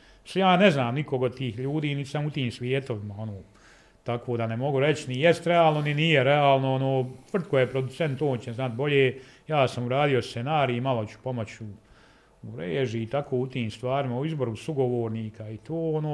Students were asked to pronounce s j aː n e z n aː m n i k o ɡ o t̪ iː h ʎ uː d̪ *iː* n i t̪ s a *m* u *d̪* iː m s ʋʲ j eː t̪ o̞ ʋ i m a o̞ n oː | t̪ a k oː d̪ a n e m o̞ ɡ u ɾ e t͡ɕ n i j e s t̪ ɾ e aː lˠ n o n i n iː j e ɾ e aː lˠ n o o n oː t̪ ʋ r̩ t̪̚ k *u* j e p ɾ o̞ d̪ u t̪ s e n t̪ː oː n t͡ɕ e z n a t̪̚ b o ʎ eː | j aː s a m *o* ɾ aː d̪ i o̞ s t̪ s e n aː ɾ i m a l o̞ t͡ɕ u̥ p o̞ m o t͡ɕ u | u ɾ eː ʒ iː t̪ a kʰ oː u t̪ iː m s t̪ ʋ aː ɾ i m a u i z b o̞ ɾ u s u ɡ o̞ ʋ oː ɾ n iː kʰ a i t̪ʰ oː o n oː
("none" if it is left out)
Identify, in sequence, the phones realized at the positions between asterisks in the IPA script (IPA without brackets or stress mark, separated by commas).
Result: iː, m, t̪, o, u